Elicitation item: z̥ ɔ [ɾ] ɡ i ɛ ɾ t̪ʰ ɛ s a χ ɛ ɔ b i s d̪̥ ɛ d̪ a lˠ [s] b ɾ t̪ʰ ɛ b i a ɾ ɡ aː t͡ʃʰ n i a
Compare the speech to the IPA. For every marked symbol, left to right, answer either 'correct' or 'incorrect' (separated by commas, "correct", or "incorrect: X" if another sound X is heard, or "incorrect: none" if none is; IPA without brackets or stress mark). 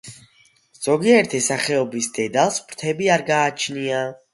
incorrect: none, correct